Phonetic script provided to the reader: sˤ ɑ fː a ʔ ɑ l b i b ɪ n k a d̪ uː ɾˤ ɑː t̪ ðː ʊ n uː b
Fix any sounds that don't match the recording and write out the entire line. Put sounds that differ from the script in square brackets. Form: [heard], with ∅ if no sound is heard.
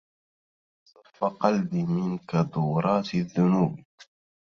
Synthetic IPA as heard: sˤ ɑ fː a [q] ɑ l b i [m] ɪ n k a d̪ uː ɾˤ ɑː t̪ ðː ʊ n uː b